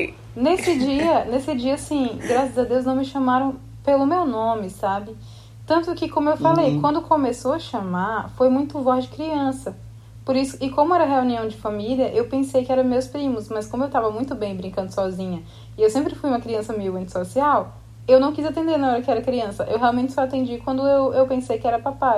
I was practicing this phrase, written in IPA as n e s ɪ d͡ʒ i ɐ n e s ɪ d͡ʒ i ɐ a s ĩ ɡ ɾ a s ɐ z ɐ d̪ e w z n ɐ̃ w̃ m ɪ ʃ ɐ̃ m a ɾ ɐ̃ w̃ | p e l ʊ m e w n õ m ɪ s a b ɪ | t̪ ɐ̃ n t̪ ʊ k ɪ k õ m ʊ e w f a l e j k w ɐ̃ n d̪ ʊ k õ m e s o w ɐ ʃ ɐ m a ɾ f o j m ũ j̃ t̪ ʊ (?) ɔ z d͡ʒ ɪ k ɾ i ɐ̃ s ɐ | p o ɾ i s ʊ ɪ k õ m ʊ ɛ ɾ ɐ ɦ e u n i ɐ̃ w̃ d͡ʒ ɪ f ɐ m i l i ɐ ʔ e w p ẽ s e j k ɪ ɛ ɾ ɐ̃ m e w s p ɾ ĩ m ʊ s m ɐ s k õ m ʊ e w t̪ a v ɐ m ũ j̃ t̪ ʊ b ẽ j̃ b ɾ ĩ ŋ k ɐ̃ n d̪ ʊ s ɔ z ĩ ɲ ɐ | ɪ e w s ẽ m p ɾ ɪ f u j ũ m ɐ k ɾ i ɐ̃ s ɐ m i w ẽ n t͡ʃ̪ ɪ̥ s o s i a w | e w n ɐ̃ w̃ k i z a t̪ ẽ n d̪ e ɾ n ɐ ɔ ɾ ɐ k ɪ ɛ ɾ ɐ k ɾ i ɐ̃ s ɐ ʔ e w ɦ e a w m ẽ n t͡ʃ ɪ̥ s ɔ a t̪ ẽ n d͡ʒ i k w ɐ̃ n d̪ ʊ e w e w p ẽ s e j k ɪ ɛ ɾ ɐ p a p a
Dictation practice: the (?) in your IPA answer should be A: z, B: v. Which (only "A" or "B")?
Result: B